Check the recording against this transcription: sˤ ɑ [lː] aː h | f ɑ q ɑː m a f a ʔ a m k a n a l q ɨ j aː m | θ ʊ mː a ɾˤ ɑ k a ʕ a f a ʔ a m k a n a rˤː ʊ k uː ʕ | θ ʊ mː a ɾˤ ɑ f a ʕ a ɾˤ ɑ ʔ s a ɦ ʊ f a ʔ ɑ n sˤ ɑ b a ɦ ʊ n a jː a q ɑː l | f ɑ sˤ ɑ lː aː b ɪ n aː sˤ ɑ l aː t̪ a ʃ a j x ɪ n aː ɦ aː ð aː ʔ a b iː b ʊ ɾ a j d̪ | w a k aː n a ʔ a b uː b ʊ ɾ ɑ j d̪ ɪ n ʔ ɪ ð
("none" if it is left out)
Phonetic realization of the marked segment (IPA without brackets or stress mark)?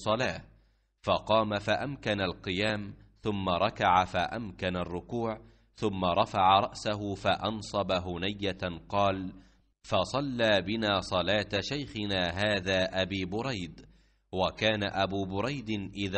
l